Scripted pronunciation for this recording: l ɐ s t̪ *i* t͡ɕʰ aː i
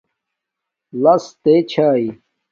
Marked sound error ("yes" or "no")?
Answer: yes